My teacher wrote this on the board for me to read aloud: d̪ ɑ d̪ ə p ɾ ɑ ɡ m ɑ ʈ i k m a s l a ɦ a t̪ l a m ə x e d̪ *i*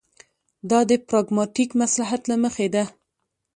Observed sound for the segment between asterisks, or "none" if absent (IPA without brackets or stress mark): a